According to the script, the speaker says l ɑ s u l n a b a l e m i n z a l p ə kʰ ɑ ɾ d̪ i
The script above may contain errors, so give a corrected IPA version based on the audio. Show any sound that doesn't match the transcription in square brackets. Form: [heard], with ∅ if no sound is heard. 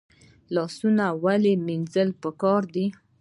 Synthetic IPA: l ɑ s u [∅] n a [w] a l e m i n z [ə] l p ə [k] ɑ ɾ d̪ i